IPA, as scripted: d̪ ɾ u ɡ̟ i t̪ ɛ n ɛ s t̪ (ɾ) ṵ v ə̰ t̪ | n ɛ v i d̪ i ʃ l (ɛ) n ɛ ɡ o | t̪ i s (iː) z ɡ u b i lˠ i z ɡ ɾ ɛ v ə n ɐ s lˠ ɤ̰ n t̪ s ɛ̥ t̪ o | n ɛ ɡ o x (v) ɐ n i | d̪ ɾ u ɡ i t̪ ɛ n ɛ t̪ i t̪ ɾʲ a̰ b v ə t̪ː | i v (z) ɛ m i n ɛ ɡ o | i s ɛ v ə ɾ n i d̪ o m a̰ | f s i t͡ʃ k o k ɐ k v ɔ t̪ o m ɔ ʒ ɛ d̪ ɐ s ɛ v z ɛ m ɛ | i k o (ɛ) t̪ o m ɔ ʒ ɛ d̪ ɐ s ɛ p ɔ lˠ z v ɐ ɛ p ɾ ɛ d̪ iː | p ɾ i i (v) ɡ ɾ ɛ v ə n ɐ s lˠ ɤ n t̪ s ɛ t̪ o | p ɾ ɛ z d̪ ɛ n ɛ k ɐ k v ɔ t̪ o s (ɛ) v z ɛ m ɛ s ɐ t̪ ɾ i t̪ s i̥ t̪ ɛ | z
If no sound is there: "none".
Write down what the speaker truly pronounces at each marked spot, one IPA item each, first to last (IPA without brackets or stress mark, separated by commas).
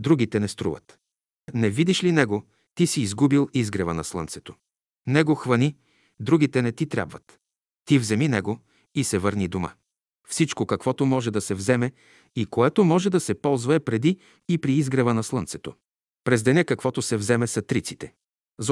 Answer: ɾ, i, iː, v, z, ɛ, z, ɛ